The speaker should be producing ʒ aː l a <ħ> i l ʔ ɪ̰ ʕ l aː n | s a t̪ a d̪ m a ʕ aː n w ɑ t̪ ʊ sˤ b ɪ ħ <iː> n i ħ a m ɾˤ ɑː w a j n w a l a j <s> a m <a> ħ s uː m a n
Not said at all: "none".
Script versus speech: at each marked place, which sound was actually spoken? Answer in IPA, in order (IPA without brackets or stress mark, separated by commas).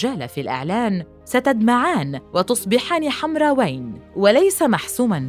f, aː, s, a